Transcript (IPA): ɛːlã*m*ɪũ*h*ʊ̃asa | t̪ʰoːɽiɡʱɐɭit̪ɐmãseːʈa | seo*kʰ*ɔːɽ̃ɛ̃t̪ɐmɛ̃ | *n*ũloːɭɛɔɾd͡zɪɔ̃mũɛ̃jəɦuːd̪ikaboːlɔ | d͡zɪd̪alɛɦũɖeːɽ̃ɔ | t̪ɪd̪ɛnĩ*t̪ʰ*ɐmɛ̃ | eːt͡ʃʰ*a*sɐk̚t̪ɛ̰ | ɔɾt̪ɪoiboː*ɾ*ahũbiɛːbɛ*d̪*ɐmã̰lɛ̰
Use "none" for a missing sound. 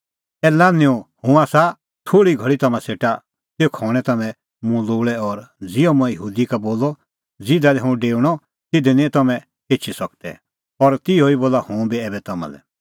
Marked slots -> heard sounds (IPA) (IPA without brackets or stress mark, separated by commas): n, h, kʰ, m, t̪, i, l, t̪